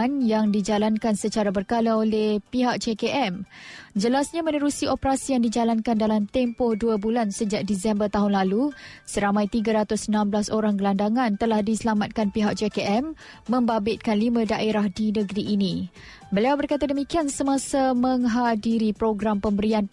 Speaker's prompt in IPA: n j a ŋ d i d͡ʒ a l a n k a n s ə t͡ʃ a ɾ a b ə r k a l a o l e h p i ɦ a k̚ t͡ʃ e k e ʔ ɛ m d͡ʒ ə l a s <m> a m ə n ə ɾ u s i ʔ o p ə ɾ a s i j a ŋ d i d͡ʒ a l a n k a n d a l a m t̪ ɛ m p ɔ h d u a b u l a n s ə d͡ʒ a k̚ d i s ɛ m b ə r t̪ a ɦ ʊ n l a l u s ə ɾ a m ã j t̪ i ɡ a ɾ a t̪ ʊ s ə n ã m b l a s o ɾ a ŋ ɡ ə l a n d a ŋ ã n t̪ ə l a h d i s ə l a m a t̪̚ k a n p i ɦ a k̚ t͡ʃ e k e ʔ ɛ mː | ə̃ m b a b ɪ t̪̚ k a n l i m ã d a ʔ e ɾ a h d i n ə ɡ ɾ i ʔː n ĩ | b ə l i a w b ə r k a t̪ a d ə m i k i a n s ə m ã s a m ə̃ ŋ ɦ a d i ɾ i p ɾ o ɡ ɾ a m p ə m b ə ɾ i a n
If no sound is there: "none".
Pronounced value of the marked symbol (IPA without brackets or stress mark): ɲ